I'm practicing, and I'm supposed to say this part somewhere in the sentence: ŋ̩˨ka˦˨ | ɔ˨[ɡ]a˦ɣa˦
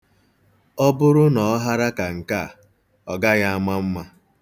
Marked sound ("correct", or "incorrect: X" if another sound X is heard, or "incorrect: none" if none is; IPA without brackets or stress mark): correct